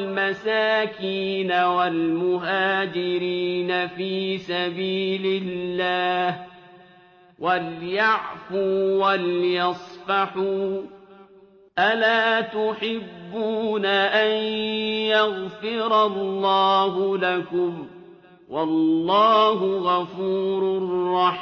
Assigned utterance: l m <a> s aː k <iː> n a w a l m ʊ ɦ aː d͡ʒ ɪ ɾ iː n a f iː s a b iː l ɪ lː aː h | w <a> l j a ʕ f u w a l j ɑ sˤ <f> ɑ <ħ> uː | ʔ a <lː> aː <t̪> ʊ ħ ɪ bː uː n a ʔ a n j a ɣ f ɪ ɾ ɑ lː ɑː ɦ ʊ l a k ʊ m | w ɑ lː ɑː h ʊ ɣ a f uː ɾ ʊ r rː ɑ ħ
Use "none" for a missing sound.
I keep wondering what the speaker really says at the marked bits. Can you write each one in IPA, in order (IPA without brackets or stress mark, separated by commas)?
a, iː, a, f, ħ, l, t̪